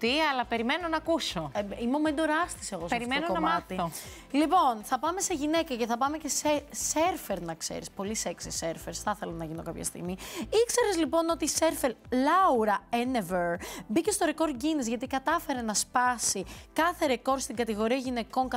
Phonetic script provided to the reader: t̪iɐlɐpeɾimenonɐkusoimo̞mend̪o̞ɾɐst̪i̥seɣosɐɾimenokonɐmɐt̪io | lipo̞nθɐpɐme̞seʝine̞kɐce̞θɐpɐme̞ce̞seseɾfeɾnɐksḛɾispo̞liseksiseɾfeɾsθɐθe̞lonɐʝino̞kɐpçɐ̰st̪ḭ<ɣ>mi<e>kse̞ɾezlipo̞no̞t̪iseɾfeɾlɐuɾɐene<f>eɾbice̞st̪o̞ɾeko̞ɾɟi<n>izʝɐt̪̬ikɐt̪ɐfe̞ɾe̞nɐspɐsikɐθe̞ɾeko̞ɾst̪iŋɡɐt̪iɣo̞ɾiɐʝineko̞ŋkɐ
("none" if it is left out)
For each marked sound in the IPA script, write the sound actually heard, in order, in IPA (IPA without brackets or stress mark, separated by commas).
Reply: ɣ, i, v, n